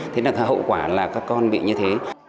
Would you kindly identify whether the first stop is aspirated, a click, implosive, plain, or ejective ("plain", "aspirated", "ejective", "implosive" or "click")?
aspirated